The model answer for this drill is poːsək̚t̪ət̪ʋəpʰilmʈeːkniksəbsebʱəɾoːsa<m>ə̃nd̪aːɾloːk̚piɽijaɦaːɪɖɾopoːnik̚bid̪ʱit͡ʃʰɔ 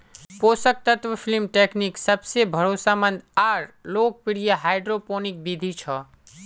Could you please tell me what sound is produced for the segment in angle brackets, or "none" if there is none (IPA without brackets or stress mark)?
m